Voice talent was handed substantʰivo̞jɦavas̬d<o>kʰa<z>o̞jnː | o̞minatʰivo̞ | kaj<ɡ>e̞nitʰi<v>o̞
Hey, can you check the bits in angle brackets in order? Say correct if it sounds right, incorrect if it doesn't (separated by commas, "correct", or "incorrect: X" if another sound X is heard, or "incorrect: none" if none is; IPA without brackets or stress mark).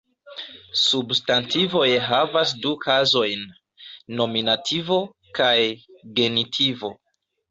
incorrect: u, correct, correct, correct